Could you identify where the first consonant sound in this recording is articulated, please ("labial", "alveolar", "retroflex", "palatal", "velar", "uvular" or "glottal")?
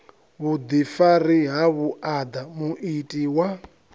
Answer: labial